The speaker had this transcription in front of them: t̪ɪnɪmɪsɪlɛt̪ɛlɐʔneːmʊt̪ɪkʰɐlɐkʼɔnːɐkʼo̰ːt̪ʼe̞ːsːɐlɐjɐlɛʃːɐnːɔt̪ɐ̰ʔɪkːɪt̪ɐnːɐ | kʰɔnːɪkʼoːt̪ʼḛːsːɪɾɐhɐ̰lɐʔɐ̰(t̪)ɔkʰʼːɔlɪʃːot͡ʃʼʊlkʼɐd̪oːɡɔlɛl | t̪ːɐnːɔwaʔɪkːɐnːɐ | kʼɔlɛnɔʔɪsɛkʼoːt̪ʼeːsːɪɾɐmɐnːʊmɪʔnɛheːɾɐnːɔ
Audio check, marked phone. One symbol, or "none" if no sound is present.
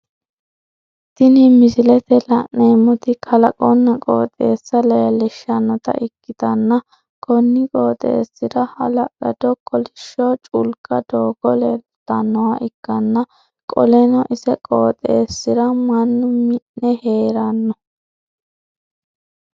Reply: d̪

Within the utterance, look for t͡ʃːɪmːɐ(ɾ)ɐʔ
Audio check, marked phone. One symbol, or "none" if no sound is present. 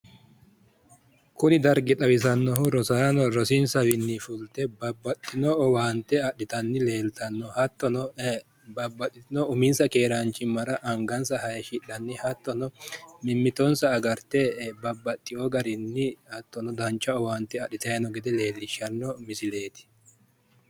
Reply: ɾ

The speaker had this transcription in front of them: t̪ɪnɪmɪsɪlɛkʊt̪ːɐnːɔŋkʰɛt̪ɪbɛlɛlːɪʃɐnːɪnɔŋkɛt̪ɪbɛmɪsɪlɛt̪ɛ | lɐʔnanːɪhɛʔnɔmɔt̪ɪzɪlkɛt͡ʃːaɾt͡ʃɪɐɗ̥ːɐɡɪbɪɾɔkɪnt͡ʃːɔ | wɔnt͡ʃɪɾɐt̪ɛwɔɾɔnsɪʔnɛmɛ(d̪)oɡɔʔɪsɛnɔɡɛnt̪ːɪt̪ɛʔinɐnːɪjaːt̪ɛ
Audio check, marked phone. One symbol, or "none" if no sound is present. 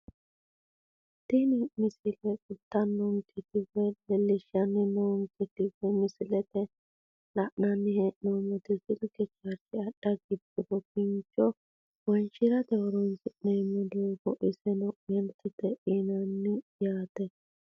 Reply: d̪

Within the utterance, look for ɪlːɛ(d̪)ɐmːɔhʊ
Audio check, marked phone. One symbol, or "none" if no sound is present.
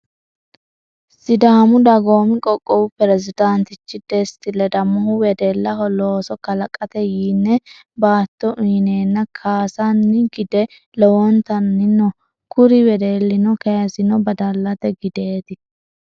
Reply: d̪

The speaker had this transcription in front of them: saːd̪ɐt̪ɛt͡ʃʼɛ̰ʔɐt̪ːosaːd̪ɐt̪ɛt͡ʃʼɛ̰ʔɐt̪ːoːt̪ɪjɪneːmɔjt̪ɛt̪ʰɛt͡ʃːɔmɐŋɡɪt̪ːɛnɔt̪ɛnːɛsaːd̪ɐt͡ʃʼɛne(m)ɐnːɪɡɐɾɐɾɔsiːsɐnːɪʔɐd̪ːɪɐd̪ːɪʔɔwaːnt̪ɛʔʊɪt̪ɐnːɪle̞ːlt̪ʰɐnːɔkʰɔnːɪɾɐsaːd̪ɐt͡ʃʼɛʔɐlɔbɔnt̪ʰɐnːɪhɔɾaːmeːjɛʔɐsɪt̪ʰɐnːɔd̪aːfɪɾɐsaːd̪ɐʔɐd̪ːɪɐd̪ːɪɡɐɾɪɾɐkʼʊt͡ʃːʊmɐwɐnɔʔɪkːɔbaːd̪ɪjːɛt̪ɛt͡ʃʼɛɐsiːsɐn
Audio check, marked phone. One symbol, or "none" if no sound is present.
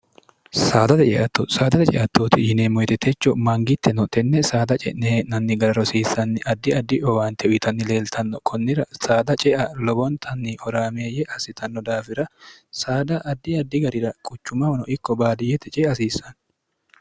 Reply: n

